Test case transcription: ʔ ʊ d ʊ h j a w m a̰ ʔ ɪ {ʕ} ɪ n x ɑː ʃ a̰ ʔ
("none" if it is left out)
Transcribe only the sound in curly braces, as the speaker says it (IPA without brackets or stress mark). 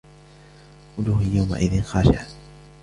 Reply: ð